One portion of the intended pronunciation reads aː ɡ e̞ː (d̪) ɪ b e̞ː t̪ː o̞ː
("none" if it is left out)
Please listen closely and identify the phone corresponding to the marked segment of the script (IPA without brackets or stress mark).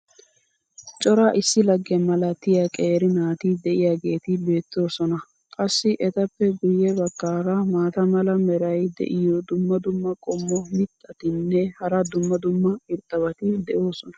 t̪